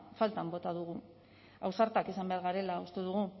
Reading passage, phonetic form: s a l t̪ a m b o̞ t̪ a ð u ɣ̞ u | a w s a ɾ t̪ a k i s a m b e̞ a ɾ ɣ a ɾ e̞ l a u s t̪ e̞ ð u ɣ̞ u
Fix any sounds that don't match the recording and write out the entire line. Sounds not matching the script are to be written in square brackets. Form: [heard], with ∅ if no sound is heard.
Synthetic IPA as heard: [f] a l t̪ a m b o̞ t̪ a ð u ɣ̞ u | a w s a ɾ t̪ a k i s a m b e̞ a ɾ ɣ a ɾ e̞ l a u s t̪ e̞ ð u ɣ̞ u